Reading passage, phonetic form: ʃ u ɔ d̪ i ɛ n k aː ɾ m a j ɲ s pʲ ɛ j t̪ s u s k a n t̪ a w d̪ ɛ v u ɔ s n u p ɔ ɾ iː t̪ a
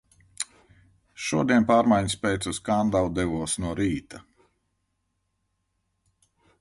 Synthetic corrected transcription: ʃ u ɔ d̪ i ɛ n p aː ɾ m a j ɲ s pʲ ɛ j t̪ s u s k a n d̪ a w d̪ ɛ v u ɔ s n u ɔ ɾ iː t̪ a